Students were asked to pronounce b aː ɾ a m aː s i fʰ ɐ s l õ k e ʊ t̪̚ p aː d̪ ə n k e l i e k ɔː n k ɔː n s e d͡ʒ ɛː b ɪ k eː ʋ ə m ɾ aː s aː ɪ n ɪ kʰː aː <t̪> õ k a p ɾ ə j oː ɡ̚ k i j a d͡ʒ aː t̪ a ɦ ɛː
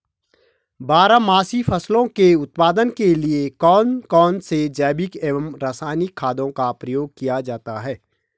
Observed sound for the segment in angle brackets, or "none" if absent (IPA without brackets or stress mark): d̪